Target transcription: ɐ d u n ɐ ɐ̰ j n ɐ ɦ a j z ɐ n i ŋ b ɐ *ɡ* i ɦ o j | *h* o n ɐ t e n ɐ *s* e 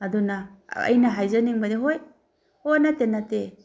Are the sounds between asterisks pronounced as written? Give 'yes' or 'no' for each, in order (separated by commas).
no, yes, no